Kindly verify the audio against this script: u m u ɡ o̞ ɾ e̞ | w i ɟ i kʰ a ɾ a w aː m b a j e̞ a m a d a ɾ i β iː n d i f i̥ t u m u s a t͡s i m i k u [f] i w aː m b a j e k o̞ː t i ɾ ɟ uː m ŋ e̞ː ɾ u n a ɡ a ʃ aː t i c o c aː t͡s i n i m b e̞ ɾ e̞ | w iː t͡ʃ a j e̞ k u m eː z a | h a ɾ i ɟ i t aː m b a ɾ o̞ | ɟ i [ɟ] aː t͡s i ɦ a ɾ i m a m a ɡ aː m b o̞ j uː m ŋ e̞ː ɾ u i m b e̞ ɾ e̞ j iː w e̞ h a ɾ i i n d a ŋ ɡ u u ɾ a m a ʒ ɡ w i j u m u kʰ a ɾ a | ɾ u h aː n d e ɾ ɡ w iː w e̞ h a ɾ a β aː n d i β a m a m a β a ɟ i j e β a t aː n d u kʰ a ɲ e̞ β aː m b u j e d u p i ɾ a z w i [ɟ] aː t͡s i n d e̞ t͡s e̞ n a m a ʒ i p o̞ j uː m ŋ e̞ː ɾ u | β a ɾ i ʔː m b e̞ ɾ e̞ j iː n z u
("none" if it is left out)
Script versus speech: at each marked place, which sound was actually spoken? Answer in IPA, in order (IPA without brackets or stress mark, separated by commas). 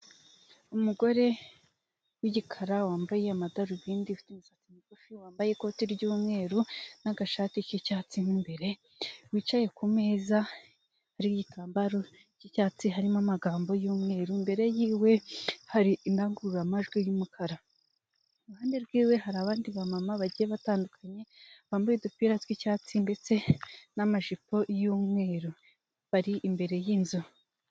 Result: f, c, c